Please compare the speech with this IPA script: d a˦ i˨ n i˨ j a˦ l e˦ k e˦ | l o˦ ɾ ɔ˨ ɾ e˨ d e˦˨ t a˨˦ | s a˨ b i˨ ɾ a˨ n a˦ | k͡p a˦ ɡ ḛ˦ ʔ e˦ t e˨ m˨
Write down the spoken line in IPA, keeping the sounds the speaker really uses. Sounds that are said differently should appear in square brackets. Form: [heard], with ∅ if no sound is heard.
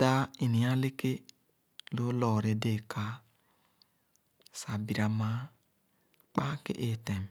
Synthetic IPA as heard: d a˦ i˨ n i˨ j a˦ l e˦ k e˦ | l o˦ [l] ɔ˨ ɾ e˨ d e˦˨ [k] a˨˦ | s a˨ b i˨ ɾ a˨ [m] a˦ | k͡p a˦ [k] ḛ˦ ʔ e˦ t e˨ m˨